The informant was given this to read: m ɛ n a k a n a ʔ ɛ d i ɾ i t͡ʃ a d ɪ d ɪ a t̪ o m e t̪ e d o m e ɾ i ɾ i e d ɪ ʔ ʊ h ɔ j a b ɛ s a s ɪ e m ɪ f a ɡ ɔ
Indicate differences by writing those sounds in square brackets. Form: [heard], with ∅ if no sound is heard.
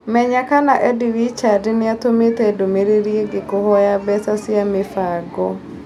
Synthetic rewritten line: m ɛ [ɲ] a k a n a ʔ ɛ d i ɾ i t͡ʃ a d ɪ [n] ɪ a t̪ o m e t̪ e d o m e ɾ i ɾ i e [ɡ] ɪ [k] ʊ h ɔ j a b ɛ s a s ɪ [a] m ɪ f a ɡ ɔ